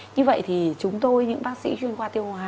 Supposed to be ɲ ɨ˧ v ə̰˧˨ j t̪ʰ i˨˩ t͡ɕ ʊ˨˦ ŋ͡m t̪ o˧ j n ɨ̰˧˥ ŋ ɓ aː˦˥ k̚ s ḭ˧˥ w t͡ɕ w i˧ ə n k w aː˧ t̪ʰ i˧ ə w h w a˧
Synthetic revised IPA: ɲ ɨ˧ v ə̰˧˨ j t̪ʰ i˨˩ t͡ɕ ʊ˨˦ ŋ͡m t̪ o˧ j ɲ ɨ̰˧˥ ŋ ɓ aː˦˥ k̚ s ḭ˧˥ t͡ɕ w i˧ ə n k w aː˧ t̪ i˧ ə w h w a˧